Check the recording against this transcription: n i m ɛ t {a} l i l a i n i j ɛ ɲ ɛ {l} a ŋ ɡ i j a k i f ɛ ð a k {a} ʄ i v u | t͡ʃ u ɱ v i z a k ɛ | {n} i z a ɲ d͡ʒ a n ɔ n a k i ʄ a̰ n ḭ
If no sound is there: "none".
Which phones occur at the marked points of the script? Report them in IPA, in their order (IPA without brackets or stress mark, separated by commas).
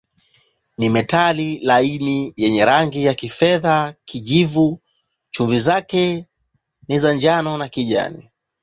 a, ɾ, i, n